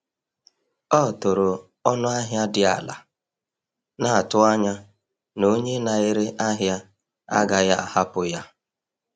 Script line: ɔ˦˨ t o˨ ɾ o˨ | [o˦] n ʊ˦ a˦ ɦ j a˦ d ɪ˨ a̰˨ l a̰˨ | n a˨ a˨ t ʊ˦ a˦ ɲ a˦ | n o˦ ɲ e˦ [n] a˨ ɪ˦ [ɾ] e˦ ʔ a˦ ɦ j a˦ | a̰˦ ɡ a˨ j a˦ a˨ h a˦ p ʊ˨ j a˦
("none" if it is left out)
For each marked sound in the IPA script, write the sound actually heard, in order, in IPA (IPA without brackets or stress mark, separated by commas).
ɔ˦, n, ɾ